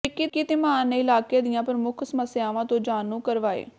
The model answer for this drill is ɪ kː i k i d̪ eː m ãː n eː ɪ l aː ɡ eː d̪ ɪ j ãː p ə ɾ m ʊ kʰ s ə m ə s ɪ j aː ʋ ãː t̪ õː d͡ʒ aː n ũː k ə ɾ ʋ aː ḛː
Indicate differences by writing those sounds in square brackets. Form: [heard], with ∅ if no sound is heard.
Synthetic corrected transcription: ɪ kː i k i [t̪] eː m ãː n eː ɪ l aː [k] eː d̪ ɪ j ãː p ə ɾ m ʊ kʰ s ə m ə s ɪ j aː ʋ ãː t̪ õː d͡ʒ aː n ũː k ə ɾ ʋ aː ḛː